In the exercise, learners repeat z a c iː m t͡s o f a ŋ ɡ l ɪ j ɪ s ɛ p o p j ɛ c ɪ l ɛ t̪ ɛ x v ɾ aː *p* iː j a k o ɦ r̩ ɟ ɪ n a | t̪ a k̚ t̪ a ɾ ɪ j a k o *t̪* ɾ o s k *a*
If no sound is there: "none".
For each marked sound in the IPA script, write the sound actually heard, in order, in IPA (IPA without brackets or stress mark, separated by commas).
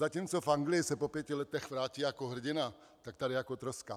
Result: c, t̪, a